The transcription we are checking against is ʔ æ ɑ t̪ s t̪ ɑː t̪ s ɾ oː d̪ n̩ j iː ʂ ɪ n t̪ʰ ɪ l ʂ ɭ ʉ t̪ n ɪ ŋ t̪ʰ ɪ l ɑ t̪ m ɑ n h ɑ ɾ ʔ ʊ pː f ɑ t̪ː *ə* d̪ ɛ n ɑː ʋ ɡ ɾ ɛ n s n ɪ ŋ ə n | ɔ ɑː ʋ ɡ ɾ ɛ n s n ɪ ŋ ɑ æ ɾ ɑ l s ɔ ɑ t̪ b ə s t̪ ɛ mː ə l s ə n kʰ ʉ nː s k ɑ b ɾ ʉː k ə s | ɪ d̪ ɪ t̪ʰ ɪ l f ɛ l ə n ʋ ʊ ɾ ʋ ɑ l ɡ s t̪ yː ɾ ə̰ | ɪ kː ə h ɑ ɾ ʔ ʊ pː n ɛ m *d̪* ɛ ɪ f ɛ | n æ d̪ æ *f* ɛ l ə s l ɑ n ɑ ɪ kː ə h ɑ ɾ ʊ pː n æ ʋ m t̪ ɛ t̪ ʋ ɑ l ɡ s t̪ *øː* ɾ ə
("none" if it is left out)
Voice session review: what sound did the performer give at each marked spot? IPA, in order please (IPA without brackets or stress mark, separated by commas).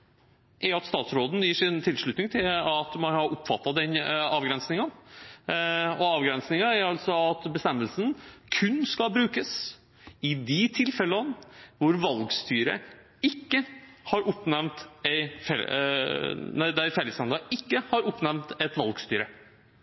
ɑ, t̪, f, yː